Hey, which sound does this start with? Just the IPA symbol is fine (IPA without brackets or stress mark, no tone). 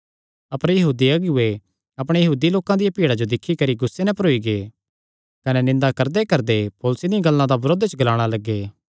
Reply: ɐ